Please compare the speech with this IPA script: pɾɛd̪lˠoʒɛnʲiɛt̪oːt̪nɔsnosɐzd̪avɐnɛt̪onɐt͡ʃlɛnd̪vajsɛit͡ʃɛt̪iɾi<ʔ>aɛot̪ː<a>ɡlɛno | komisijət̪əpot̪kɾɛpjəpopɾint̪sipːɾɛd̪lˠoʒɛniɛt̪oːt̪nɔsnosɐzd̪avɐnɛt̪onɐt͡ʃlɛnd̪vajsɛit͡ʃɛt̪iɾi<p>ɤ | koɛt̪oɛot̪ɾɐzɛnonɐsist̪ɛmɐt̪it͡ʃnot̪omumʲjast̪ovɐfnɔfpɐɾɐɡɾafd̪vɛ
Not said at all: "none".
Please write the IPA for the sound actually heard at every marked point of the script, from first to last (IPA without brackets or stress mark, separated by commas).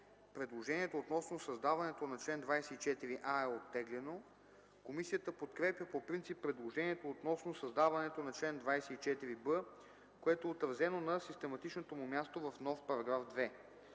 ʔ, ɛ, b